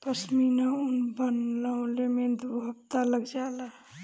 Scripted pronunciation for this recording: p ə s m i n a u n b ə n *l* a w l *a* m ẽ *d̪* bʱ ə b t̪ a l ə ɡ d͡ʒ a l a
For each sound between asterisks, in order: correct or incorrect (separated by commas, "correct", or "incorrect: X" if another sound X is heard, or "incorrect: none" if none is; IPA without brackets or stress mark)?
correct, incorrect: e, correct